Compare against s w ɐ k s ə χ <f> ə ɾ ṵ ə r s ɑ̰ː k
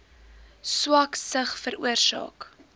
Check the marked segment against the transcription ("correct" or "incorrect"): correct